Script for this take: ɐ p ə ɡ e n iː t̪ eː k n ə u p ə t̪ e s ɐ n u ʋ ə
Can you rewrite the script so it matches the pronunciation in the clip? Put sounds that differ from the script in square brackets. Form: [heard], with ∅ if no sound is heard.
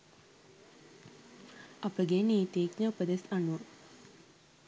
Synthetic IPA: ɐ p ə ɡ e n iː t̪ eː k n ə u p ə [d̪] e s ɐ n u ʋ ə